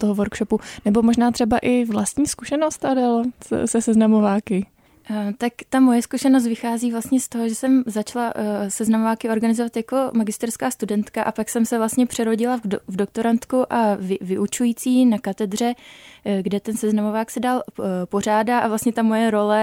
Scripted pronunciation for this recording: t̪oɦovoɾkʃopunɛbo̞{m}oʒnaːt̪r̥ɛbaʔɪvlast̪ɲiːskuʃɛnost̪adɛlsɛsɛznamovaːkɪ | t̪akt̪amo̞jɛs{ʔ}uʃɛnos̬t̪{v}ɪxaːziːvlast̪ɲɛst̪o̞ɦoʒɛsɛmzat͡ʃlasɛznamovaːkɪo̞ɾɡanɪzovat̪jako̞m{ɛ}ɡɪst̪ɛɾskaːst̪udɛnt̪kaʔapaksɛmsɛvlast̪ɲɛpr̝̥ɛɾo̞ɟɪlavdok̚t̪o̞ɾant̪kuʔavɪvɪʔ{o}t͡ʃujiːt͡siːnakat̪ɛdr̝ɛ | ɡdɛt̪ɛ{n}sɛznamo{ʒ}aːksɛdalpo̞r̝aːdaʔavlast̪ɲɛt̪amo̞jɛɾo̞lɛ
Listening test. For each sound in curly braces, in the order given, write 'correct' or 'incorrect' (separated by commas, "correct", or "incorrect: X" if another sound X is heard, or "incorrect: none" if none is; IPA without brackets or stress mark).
correct, incorrect: k, correct, incorrect: a, incorrect: u, correct, incorrect: v